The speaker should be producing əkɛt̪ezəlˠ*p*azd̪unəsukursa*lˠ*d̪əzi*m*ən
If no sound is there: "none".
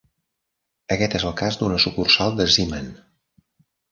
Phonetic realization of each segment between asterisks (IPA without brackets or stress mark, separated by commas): k, lˠ, m